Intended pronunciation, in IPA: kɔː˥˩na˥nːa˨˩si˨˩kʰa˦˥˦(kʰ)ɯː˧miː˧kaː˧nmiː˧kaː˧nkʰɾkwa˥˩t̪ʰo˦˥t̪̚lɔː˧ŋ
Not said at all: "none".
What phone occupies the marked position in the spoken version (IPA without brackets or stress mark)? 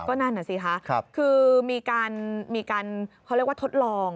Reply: kʰ